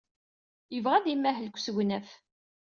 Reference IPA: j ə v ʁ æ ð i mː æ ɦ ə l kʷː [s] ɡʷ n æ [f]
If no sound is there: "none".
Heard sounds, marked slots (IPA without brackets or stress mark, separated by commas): s, f